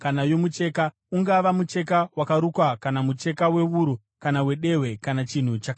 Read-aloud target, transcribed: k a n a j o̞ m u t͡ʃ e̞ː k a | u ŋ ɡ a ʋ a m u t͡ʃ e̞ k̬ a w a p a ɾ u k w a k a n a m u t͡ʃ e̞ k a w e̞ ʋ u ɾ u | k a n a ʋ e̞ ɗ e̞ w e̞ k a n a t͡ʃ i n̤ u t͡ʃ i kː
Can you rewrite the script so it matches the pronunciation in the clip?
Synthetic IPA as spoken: k a n a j o̞ m u t͡ʃ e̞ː k a | u ŋ ɡ a ʋ a m u t͡ʃ e̞ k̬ a w a k a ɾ u k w a k a n a m u t͡ʃ e̞ k a w e̞ ʋ u ɾ u | k a n a w e̞ ɗ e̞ w e̞ k a n a t͡ʃ i n̤ u t͡ʃ a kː